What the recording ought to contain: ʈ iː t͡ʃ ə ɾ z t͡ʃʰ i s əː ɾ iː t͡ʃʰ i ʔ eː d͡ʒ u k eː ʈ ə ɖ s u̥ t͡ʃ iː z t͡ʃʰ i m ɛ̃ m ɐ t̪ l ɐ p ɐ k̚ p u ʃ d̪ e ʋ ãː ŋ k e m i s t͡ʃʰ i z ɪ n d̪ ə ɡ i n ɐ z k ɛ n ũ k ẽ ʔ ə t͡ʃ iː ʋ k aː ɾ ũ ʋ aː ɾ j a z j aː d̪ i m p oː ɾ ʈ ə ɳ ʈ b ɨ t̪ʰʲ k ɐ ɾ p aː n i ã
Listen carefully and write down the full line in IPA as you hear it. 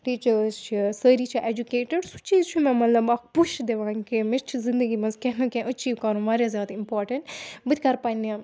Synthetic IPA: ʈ iː t͡ʃ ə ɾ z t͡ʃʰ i s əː ɾ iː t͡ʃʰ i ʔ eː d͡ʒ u k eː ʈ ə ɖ s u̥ t͡ʃ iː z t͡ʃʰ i m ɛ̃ m ɐ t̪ l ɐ b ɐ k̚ p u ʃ d̪ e ʋ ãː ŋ k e m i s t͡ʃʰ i z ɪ n d̪ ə ɡ i m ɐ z k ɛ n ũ k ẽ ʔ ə t͡ʃ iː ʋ k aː ɾ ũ ʋ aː ɾ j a z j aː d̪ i m p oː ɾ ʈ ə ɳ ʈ b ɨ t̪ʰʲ k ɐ ɾ p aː n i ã

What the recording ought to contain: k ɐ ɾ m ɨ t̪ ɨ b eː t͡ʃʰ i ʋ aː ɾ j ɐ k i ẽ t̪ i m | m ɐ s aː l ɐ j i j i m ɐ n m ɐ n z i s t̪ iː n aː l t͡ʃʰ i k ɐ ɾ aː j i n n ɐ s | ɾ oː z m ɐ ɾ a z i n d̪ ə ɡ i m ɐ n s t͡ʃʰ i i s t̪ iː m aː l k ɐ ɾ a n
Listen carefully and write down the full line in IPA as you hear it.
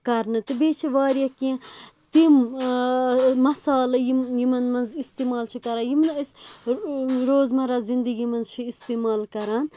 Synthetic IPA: k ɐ ɾ n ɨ t̪ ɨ b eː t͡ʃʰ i ʋ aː ɾ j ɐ k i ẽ t̪ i m | m ɐ s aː l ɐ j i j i m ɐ n m ɐ n z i s t̪ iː m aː l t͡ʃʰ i k ɐ ɾ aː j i m n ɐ s | ɾ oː z m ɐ ɾ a z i n d̪ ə ɡ i m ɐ n z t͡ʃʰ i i s t̪ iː m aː l k ɐ ɾ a n

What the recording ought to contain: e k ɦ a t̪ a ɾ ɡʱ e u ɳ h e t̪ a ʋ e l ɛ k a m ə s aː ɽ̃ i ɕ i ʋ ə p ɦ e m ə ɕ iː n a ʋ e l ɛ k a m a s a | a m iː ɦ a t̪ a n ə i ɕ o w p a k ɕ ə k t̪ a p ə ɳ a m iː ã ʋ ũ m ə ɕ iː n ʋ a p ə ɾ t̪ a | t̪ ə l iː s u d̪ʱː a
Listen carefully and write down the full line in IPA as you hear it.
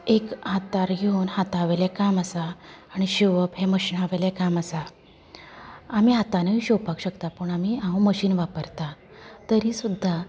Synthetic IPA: e k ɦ a t̪ a ɾ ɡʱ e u n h a t̪ a ʋ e l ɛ k a m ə s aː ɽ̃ i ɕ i ʋ ə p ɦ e m ə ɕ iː n a ʋ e l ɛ k a m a s a | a m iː ɦ a t̪ a n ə i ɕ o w p a k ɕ ə k t̪ a p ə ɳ a m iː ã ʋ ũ m ə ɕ iː n ʋ a p ə ɾ t̪ a | t̪ ə ɾ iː s u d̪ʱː a

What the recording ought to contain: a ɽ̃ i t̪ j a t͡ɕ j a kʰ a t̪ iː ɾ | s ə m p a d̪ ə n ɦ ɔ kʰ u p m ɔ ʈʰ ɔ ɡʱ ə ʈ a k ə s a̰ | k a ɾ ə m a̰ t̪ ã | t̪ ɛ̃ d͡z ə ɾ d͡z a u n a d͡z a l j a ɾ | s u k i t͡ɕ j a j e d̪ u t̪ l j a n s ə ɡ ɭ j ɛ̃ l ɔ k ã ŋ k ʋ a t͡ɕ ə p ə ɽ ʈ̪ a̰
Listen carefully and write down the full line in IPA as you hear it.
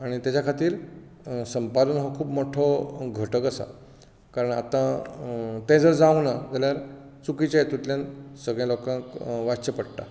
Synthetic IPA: a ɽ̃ i t̪ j a t͡ɕ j a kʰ a t̪ iː ɾ | s ə m p a d̪ ə n ɦ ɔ kʰ uː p m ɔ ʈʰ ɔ ɡʱ ə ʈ ə k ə s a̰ | k a ɾ ə ɳ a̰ t̪ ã | t̪ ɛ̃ d͡z ə ɾ d͡z a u n a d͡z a l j a ɾ | t͡s u k i t͡ɕ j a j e t̪ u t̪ l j a n s ə ɡ ɭ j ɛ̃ l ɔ k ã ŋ k ʋ a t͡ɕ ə p ə ɽ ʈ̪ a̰

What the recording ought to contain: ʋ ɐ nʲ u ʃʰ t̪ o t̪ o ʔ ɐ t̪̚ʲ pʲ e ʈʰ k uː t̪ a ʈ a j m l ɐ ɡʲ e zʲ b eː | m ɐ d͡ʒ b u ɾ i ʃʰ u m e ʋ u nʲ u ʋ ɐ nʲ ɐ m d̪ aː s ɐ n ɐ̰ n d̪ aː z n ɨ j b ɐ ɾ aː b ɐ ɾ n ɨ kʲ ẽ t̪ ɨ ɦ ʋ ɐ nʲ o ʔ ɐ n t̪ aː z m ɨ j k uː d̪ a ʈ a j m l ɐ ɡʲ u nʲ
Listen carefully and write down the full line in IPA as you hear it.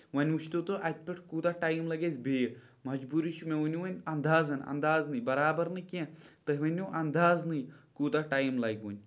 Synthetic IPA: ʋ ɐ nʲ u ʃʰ t̪ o t̪ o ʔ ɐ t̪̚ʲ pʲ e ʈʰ k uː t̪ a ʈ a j m l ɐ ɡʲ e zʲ b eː | m ɐ d͡ʒ b u ɾ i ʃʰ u m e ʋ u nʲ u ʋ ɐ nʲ ɐ n d̪ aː z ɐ n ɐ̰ n d̪ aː z n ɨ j b ɐ ɾ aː b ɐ ɾ n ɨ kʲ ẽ t̪ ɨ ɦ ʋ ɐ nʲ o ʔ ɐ n d̪ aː z n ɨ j k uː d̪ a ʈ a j m l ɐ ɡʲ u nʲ

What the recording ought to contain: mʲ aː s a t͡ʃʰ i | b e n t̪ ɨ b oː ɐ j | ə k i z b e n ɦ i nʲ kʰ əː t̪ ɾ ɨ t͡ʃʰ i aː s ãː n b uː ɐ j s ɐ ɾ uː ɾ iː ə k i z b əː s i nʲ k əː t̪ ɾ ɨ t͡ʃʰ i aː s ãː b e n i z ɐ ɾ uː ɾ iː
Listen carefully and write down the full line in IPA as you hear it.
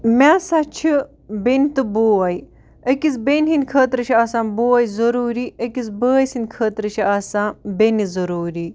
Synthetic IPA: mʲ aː s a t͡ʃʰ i | b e n t̪ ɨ b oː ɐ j | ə k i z b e n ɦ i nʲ kʰ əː t̪ ɾ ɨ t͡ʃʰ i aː s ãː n b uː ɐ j z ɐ ɾ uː ɾ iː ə k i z b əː s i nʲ kʰ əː t̪ ɾ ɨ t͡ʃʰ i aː s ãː b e n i z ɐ ɾ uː ɾ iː

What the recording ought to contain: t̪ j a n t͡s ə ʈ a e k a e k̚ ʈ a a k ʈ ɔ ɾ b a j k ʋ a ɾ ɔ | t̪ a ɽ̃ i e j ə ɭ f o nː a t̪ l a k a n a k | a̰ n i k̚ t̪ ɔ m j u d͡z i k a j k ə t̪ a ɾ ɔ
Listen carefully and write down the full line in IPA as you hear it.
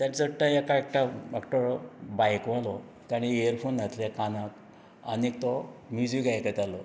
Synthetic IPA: t̪ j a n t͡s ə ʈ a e k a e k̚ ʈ a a k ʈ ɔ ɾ b a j k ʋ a l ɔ | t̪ a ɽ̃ i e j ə ɾ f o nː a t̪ l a k a n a k | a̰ n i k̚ t̪ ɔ m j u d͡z i k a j k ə t̪ a l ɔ

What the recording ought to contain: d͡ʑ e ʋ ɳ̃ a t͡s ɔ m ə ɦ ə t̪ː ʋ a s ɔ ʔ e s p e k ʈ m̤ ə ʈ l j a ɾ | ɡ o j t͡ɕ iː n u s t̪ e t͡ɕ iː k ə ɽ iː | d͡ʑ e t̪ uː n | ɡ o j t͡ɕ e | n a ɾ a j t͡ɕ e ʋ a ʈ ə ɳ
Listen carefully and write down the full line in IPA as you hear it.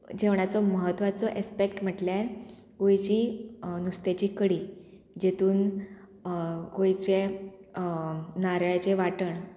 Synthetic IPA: d͡ʑ e ʋ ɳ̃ a t͡s ɔ m ə ɦ ə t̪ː ʋ a t͡s ɔ ʔ e s p e k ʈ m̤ ə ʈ l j a ɾ | ɡ o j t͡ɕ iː n u s t̪ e t͡ɕ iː k ə ɽ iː | d͡ʑ e t̪ uː n | ɡ o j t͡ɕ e | n a ɾ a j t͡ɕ e ʋ a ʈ ə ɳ

